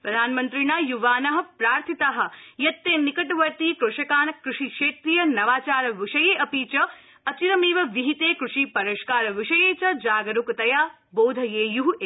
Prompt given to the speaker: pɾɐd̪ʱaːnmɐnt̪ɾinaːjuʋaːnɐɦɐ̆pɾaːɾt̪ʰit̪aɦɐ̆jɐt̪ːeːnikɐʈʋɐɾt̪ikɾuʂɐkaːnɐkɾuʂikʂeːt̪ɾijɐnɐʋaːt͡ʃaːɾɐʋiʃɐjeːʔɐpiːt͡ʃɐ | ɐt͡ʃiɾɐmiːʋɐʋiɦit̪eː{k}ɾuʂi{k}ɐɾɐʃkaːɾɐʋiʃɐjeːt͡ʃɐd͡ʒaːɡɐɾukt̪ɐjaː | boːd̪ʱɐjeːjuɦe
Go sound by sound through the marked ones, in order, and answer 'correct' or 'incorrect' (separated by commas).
correct, incorrect